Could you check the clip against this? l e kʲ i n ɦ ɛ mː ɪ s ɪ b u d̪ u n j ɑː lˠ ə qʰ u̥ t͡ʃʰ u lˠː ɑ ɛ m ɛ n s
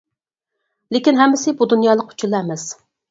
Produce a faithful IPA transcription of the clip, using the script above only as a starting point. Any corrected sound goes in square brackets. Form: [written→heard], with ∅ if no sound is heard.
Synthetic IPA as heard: l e kʲ i n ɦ ɛ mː ɪ s ɪ b u d̪ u n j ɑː lˠ ə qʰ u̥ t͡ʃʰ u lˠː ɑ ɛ m ɛ [n→∅] s